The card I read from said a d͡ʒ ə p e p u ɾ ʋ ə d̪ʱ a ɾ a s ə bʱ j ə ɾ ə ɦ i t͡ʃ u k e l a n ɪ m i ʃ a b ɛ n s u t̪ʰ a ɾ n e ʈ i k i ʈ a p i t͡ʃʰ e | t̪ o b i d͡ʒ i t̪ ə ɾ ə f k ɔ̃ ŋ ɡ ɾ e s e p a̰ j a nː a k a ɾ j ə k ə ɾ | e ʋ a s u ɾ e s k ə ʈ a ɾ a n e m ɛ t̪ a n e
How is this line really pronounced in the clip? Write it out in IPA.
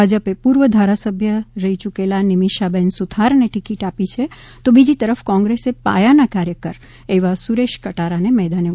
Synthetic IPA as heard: a d͡ʒ ə p e p u ɾ ʋ ə d̪ʱ a ɾ a s ə bʱ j ə ɾ ə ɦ i t͡ʃ u k e l a n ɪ m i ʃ a b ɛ n s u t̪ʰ a ɾ n e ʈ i k i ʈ a p i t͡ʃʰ e | t̪ o b i d͡ʒ i t̪ ə ɾ ə f k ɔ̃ ŋ ɡ ɾ e s e p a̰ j a n a k a ɾ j ə k ə ɾ | e ʋ a s u ɾ e ʃ k ə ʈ a ɾ a n e m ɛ d̪ a n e